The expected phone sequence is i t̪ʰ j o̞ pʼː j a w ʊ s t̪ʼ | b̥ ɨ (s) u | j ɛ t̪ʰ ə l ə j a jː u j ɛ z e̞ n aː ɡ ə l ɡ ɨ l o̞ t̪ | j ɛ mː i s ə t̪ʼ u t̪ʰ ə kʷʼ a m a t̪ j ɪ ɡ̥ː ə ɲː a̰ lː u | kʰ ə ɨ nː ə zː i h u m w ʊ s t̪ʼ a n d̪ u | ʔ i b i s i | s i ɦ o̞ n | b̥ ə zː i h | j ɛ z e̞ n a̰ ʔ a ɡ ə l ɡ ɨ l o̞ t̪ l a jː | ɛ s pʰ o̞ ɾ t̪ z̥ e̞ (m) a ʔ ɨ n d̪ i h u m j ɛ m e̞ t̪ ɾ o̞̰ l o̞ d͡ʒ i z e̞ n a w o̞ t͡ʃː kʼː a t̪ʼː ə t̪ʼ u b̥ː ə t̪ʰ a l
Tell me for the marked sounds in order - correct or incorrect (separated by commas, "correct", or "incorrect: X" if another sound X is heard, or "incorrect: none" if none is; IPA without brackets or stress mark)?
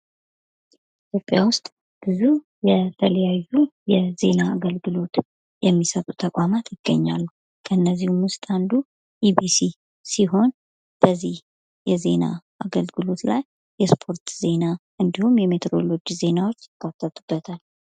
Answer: incorrect: z, incorrect: n